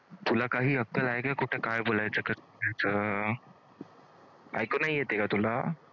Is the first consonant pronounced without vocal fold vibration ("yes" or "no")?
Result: yes